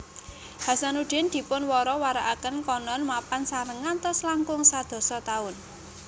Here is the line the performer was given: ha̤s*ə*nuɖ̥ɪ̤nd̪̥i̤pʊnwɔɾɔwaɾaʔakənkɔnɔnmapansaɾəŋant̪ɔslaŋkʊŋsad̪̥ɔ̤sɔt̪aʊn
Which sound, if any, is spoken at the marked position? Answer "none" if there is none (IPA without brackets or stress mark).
a